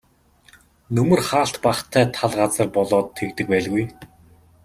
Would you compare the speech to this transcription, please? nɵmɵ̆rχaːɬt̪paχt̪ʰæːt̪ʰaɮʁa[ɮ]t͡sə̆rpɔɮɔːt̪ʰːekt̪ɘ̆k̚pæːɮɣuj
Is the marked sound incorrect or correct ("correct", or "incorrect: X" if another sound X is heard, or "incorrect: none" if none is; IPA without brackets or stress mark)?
incorrect: none